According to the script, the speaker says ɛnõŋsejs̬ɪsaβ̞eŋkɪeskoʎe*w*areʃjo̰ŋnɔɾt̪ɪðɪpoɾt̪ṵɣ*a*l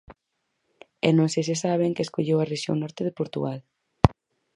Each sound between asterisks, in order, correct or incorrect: correct, correct

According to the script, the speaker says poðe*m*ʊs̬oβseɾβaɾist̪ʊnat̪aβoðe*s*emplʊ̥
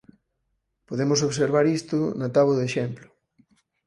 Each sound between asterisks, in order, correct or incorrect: correct, incorrect: ʃ

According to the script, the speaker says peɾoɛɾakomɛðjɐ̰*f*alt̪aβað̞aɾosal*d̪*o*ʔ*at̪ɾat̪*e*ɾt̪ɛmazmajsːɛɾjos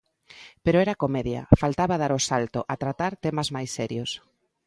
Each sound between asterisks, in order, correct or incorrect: correct, incorrect: t̪, correct, incorrect: a

